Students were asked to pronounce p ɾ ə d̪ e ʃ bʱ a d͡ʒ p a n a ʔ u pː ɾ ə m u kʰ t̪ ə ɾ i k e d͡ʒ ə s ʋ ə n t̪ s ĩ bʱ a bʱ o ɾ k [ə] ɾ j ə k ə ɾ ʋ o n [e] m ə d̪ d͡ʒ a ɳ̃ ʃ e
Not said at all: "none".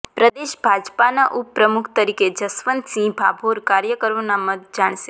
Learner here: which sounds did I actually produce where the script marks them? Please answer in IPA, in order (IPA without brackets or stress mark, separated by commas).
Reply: a, a